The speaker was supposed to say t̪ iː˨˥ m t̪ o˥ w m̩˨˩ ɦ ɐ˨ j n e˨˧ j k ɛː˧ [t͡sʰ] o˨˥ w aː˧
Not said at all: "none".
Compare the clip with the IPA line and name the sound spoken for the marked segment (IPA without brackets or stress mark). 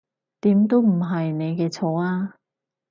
t͡sʰ